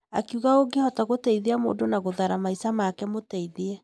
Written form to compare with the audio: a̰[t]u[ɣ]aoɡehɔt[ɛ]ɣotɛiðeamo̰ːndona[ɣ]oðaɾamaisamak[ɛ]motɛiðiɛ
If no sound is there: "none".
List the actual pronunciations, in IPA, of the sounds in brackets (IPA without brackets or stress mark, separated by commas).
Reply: k, ɣ, a, ɣ, ɛ